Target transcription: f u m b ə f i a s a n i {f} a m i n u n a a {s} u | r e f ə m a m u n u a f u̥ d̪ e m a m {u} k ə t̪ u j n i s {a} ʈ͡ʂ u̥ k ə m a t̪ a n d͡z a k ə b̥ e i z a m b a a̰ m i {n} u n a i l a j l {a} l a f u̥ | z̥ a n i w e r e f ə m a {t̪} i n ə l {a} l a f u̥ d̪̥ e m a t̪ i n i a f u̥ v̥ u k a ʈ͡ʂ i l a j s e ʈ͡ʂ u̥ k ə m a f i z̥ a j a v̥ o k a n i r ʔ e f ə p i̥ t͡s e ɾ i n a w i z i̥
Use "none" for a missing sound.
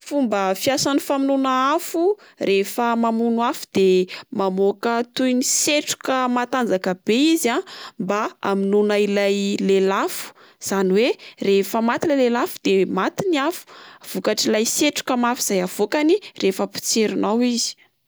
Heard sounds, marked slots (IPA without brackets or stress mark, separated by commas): f, f, o, e, n, e, t̪, e